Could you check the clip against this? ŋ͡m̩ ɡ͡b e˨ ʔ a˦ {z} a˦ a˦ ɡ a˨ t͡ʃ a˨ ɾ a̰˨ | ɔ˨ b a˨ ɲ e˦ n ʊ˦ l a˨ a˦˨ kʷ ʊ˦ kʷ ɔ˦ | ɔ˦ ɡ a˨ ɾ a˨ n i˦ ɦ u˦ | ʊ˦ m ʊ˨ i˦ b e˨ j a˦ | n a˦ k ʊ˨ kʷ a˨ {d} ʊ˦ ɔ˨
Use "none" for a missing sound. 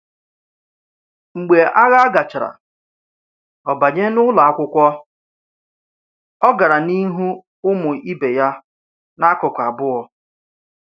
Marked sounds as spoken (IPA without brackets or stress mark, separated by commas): ɣ, b